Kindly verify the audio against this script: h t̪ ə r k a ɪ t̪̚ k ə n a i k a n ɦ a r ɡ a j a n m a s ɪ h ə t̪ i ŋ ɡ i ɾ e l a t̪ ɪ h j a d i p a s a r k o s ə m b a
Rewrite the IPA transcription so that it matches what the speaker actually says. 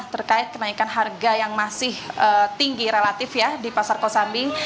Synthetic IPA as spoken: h t̪ ə r k a ɪ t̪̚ k ə n a i k a n ɦ a r ɡ a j a ŋ m a s ɪ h ə t̪ i ŋ ɡ i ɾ e l a t̪ ɪ f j a d i p a s a r k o s a m b i